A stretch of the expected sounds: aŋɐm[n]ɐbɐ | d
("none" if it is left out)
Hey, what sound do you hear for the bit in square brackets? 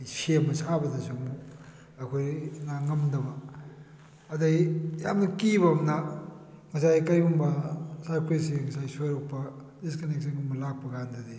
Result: d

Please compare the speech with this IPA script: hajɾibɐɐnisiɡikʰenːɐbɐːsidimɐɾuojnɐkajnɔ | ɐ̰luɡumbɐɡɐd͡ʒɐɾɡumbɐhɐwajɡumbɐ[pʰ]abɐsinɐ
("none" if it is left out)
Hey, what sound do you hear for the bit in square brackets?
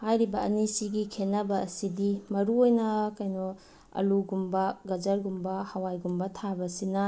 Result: tʰ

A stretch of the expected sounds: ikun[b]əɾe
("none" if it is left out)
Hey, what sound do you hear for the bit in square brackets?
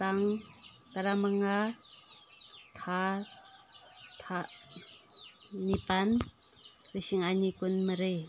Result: m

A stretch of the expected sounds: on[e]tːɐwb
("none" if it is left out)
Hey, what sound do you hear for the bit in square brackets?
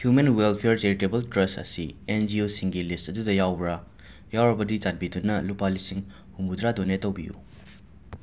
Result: e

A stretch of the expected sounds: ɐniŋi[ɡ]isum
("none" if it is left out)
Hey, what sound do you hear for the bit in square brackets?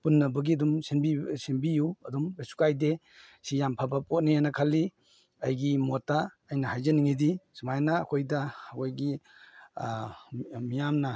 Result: d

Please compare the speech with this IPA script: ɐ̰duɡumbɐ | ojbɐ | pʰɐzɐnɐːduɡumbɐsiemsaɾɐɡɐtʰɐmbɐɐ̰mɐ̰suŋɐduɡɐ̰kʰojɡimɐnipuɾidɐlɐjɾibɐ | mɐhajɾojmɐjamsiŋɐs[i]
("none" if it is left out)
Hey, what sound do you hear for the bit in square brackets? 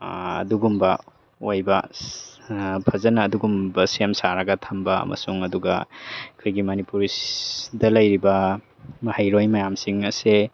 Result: e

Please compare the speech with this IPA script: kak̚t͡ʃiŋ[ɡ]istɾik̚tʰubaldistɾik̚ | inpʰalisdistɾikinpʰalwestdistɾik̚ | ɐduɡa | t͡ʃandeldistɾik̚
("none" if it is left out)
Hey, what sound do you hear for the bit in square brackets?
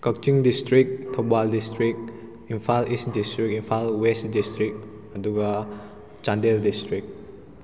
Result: d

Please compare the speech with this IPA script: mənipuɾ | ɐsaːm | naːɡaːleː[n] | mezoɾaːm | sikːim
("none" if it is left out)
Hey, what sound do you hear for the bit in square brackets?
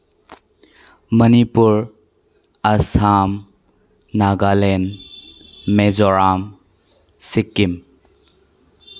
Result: n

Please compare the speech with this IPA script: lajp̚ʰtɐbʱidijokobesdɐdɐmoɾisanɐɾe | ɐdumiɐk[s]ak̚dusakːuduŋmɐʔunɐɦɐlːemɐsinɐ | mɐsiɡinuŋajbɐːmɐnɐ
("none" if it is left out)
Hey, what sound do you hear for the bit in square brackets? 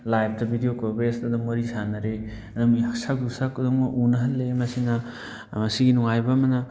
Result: s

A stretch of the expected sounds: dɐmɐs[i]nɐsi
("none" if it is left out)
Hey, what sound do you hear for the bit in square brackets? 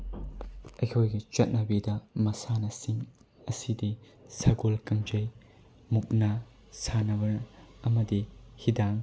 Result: a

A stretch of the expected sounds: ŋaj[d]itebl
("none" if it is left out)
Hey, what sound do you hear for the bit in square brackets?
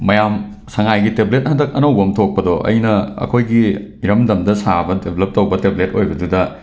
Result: ɡ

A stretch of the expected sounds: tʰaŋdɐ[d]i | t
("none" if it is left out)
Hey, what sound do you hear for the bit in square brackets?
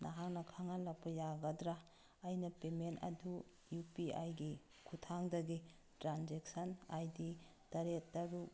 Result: ɡ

